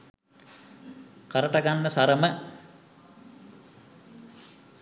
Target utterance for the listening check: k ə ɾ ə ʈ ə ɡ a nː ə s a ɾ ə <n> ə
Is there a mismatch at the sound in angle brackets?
yes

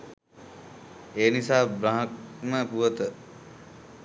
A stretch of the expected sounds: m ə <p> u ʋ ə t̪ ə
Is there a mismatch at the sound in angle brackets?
no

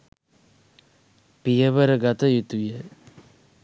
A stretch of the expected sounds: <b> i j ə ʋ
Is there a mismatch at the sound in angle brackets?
yes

